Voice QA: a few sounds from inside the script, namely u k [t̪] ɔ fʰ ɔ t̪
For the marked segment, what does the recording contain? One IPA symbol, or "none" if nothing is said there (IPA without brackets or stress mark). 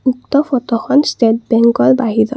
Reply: t̪